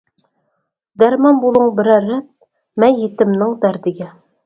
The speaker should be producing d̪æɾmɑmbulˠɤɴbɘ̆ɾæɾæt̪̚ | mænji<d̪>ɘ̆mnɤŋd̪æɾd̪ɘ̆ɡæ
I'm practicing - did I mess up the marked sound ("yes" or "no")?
yes